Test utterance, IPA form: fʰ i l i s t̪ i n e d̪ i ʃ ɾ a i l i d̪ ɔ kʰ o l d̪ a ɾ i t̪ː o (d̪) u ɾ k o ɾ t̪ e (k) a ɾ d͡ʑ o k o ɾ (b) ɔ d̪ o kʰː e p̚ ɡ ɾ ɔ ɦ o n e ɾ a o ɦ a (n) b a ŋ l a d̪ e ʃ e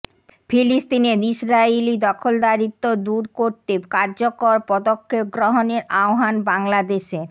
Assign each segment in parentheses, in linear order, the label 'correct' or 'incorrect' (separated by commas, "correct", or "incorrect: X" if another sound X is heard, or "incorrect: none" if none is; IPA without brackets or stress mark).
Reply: correct, correct, incorrect: p, correct